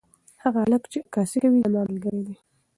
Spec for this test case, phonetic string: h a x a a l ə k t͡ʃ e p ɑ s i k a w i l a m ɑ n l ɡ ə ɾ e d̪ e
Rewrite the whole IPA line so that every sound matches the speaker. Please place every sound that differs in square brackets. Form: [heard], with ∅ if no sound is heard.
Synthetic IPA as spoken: h a [ɣ] a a l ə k t͡ʃ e [k] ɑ s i k a w i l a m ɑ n l ɡ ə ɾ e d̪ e